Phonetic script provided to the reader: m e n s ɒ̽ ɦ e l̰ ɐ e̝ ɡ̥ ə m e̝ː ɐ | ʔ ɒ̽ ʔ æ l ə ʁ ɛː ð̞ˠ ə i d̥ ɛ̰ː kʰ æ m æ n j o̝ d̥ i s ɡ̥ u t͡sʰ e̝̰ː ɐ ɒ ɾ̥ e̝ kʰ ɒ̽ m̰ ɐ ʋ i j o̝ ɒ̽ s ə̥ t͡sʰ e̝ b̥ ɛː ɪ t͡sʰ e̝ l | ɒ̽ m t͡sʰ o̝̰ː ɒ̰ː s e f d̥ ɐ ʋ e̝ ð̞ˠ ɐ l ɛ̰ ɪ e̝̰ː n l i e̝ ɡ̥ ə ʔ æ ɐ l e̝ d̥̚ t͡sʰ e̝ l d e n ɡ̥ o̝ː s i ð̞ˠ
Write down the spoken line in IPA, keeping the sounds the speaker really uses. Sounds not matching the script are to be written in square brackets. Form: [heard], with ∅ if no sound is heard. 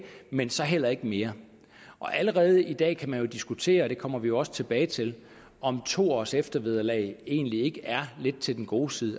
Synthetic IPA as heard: m e n s ɒ̽ ɦ e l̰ ɐ e̝ ɡ̥ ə m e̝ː ɐ | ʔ ɒ̽ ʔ æ l ə ʁ ɛː ð̞ˠ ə i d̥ ɛ̰ː kʰ æ m æ n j o̝ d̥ i s ɡ̥ u t͡sʰ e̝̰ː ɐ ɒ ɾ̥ e̝ kʰ ɒ̽ m̰ ɐ ʋ i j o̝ ɒ̽ s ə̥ t͡sʰ e̝ b̥ ɛː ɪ t͡sʰ e̝ l | ɒ̽ m t͡sʰ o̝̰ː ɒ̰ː s e f d̥ ɐ ʋ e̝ ð̞ˠ ɐ l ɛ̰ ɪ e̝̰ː n l i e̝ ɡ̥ ə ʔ æ ɐ l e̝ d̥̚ t͡sʰ e̝ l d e n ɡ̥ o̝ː s i ð̞ˠ

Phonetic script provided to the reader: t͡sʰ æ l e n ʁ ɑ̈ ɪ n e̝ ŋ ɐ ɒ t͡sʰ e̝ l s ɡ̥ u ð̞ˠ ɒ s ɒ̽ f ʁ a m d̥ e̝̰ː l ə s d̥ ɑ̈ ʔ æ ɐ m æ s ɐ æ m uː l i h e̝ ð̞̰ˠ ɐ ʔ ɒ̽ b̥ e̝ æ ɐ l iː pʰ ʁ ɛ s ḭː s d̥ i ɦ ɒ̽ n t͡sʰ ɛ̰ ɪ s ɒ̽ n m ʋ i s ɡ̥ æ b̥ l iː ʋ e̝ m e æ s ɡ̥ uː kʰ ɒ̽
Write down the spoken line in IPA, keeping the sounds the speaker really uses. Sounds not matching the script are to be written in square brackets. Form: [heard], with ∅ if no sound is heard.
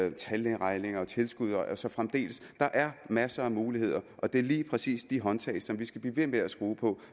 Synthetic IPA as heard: t͡sʰ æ l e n ʁ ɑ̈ ɪ n e̝ ŋ ɐ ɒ t͡sʰ e̝ l s ɡ̥ u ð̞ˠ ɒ s ɒ̽ f ʁ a m d̥ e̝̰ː l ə s d̥ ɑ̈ ʔ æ ɐ m æ s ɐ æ m uː l i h e̝ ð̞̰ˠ ɐ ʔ ɒ̽ [d̥] e̝ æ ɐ l iː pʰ ʁ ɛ s ḭː s d̥ i ɦ ɒ̽ n t͡sʰ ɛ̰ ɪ s ɒ̽ [∅] m ʋ i s ɡ̥ æ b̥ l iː ʋ e̝ m e æ s ɡ̥ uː [pʰ] ɒ̽

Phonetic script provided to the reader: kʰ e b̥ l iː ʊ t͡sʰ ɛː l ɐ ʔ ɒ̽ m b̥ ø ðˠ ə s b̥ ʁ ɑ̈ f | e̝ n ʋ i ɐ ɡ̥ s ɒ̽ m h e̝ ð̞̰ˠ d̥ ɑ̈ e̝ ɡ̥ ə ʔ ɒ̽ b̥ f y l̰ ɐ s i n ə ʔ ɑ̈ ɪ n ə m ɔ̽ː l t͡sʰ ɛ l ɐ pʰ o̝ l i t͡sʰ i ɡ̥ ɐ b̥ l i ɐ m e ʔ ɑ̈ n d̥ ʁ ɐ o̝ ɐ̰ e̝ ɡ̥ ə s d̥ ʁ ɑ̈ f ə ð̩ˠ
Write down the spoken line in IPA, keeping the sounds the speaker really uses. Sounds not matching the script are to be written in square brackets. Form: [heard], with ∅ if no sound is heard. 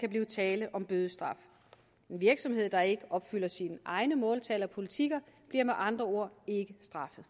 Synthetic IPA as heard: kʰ [æ] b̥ l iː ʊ t͡sʰ ɛː l [ə] ʔ ɒ̽ m b̥ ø ðˠ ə s [d̥] ʁ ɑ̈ f | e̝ n ʋ i ɐ ɡ̥ s ɒ̽ m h e̝ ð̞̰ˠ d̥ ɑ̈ e̝ ɡ̥ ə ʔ ɒ̽ b̥ f y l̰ ɐ s i n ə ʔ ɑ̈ ɪ n ə m ɔ̽ː l t͡sʰ ɛ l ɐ pʰ o̝ l i t͡sʰ i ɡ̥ ɐ b̥ l i ɐ m e ʔ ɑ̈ n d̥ ʁ ɐ o̝ ɐ̰ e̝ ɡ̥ ə s d̥ ʁ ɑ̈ f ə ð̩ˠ

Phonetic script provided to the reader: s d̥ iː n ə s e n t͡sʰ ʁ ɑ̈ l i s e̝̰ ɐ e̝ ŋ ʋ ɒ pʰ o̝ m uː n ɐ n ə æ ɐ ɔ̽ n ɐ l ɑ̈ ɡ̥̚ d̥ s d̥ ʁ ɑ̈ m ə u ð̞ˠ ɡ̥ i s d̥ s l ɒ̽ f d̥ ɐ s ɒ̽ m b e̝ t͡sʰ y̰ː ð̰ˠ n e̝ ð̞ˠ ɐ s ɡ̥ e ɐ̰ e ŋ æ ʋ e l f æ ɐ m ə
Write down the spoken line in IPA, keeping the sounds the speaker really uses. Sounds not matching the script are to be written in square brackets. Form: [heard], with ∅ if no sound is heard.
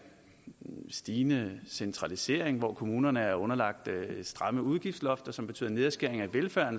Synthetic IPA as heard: s d̥ iː n ə s e n t͡sʰ ʁ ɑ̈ l i s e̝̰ ɐ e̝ ŋ ʋ ɒ [kʰ] o̝ m uː n ɐ n ə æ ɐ ɔ̽ n ɐ l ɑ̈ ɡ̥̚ d̥ s d̥ ʁ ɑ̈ m ə u ð̞ˠ ɡ̥ i [f] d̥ s l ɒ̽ f d̥ ɐ s ɒ̽ m b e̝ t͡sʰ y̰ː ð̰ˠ n e̝ ð̞ˠ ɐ s ɡ̥ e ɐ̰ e ŋ æ ʋ e l f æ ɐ [n] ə

